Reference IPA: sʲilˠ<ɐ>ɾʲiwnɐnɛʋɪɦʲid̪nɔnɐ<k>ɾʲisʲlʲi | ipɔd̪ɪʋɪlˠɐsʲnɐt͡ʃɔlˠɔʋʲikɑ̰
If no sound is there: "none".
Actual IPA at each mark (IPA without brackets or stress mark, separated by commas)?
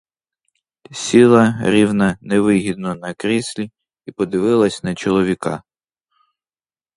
ɐ, k